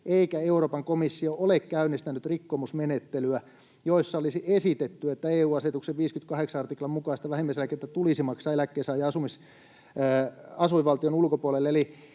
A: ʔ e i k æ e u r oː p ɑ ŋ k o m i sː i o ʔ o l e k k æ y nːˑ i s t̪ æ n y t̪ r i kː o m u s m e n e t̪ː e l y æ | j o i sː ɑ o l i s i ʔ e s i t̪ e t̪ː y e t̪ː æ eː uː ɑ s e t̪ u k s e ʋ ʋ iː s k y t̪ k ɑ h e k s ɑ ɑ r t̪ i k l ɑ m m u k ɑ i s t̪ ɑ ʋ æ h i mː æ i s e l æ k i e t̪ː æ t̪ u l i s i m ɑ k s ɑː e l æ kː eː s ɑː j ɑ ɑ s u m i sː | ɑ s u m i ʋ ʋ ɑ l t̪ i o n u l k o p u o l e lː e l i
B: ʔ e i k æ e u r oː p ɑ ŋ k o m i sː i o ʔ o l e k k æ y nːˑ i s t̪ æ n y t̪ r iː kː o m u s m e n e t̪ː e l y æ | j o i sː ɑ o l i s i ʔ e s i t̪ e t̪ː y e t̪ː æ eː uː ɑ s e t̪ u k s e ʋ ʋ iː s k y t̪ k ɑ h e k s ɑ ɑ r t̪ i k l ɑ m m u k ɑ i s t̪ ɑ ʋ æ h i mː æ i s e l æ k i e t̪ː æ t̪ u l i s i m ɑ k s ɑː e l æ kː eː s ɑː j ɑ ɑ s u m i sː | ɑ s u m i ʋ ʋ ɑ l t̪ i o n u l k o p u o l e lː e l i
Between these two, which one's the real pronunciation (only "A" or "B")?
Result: A